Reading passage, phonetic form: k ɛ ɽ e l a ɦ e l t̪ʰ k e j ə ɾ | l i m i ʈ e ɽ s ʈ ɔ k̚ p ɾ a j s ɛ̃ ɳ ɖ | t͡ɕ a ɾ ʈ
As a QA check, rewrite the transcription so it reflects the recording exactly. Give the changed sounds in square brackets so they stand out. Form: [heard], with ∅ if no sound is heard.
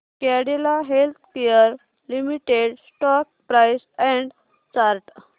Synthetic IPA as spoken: k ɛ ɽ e l a ɦ e l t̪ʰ k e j ə ɾ | l i m i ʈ e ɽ s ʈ ɔ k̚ p ɾ a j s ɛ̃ ɳ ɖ | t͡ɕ a ɾ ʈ